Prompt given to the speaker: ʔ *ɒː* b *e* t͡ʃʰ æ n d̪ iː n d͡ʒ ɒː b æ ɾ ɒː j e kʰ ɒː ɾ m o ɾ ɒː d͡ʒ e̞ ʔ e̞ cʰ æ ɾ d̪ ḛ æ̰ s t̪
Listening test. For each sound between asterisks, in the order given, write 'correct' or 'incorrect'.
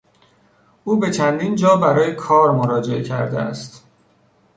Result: incorrect: uː, correct

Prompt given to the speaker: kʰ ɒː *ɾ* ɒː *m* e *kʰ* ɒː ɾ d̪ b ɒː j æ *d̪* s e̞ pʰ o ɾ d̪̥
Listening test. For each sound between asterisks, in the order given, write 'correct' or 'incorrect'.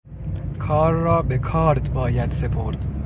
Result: incorrect: ɾː, incorrect: b, correct, correct

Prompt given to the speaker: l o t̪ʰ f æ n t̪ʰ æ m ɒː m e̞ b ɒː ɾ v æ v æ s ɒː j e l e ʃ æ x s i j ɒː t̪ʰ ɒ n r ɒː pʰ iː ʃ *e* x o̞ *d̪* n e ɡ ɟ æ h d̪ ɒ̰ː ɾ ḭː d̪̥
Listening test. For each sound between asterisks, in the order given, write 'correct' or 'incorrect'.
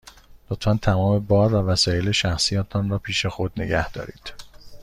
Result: correct, correct

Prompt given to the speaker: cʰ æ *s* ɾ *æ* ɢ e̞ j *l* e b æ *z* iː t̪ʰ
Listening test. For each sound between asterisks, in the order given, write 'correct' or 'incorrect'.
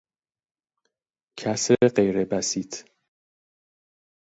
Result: correct, incorrect: e, incorrect: ɾ, incorrect: s

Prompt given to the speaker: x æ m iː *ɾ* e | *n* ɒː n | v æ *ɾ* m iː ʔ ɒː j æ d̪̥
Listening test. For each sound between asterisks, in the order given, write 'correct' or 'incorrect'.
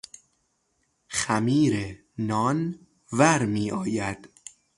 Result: correct, correct, correct

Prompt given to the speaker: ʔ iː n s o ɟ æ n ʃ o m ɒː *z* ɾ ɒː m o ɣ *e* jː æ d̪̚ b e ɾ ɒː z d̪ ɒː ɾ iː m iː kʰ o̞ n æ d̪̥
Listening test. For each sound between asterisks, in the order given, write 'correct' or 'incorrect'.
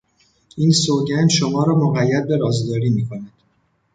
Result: incorrect: none, incorrect: æ

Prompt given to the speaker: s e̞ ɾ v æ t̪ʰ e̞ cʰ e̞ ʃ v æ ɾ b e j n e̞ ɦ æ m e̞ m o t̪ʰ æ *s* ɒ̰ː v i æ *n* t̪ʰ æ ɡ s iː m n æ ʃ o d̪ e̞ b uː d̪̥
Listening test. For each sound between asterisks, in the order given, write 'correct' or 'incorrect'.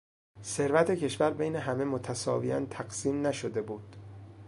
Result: correct, correct

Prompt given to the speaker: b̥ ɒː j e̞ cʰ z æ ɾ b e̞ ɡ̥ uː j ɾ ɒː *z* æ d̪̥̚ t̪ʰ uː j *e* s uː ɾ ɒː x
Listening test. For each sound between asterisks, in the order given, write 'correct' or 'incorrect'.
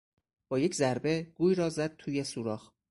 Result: correct, correct

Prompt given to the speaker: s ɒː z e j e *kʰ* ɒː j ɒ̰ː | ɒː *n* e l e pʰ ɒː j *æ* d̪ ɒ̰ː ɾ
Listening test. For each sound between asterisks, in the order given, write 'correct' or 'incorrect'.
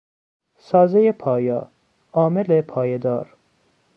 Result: incorrect: pʰ, incorrect: m, incorrect: e

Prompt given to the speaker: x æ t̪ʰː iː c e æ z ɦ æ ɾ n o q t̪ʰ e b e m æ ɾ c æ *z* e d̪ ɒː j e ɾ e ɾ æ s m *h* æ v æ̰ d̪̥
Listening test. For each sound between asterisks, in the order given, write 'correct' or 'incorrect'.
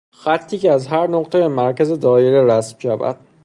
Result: correct, incorrect: ʃ

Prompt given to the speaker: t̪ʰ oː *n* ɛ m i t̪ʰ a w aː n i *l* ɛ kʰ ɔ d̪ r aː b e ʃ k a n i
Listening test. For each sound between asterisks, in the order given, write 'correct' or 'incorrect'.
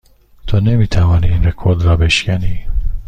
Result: correct, correct

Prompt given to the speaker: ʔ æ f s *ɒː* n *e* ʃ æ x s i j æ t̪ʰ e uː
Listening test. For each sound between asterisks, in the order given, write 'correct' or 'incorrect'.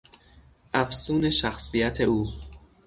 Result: incorrect: uː, correct

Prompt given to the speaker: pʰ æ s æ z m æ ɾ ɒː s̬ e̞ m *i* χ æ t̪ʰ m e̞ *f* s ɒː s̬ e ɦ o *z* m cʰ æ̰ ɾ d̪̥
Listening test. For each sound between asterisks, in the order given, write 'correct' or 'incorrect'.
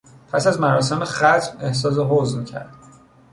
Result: incorrect: e, incorrect: h, correct

